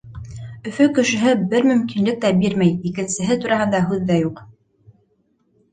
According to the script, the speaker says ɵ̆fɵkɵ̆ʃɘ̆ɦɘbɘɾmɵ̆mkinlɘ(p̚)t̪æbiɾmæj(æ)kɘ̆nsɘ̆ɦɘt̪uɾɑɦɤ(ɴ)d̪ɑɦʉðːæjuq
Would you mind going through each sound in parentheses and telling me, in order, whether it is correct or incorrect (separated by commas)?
incorrect, incorrect, incorrect